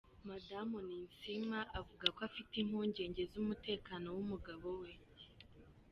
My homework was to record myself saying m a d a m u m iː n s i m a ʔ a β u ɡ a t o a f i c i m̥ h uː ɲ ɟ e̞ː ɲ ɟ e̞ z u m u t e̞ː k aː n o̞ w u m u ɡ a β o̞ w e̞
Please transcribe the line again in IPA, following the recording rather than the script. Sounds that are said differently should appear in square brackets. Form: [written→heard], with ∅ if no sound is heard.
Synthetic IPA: m a d a m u [m→n] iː n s i m a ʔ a [β→v] u ɡ a [t→k] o a f i [c→t] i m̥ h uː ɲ ɟ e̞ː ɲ ɟ e̞ z u m u t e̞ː k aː n o̞ w u m u ɡ a β o̞ w e̞

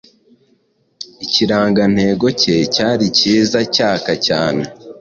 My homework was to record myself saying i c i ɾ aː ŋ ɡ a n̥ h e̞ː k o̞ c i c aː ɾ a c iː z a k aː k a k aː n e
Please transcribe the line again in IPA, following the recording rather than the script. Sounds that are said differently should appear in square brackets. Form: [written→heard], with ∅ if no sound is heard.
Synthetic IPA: i c i ɾ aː ŋ ɡ a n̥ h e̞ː [k→ɡ] o̞ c [i→e] c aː ɾ [a→i] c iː z a [k→c] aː k a [k→c] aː n e

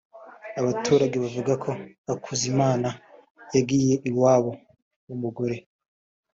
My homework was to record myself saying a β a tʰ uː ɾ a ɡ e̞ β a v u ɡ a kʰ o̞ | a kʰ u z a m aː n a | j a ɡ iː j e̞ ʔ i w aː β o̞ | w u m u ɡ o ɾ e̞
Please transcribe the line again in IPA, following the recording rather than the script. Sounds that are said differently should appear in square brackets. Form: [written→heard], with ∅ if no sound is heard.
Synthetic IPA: a β a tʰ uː ɾ a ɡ e̞ β a v u ɡ a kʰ o̞ | a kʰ u z [a→i] m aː n a | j a ɡ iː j e̞ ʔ i w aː β o̞ | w u m u ɡ o ɾ e̞

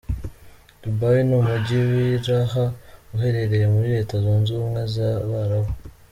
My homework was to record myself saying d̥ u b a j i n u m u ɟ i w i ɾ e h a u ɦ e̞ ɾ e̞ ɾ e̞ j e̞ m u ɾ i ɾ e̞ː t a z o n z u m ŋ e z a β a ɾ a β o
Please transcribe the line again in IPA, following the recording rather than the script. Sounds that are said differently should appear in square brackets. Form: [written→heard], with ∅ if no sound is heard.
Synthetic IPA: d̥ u b a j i n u m u ɟ i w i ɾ [e→a] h a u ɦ e̞ ɾ e̞ ɾ e̞ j e̞ m u ɾ i ɾ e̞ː t a z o n z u m ŋ e z a β a ɾ a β o

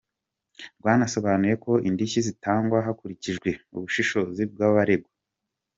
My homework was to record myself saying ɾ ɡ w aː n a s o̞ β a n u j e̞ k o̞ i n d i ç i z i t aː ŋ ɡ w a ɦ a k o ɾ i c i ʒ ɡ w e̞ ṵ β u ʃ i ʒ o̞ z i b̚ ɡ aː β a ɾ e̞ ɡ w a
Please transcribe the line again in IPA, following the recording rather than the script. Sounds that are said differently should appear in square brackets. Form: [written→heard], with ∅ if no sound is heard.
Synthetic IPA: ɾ ɡ w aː n a s o̞ β a n u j e̞ k o̞ i n d i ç i z i t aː ŋ ɡ w a ɦ a k [o→u] ɾ i c i ʒ ɡ w e̞ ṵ β u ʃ i [ʒ→ʃ] o̞ z i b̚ ɡ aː β a ɾ e̞ ɡ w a

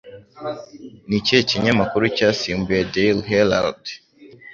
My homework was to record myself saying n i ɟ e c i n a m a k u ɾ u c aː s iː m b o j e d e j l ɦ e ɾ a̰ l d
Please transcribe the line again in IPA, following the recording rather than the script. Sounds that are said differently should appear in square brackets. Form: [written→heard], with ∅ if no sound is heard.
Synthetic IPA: n i [ɟ→c] e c i [n→ɲ] a m a k u ɾ u c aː s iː m b [o→u] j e d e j l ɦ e [ɾ→l] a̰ l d

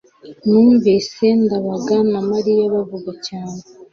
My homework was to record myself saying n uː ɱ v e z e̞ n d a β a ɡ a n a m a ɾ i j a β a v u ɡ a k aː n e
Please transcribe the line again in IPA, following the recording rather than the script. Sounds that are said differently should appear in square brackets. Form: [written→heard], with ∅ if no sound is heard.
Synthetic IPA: n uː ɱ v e [z→s] e̞ n d a β a ɡ a n a m a ɾ i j a β a v u ɡ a [k→c] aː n e

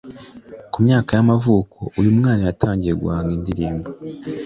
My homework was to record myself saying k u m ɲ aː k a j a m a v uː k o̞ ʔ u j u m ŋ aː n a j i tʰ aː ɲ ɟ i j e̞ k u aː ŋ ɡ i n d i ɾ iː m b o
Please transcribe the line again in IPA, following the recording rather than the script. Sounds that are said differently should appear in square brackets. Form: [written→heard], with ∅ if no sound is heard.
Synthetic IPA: k u m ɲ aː k a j a m a v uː k o̞ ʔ u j u m ŋ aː n a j [i→a] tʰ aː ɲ ɟ i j e̞ [k→ɡ] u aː ŋ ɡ i n d i ɾ iː m b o

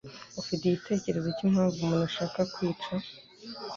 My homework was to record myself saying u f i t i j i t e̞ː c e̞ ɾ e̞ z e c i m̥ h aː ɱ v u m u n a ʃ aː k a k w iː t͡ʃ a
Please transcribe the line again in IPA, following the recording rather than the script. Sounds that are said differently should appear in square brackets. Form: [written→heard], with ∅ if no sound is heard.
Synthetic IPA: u f i t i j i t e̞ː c e̞ ɾ e̞ z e c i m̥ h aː ɱ v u m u n a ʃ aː k a k w iː t͡ʃ a

